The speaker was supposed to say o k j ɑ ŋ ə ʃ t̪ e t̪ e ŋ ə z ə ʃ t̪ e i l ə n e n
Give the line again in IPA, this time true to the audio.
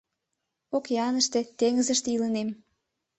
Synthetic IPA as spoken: o k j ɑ n ə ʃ t̪ e t̪ e ŋ ə z ə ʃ t̪ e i l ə n e m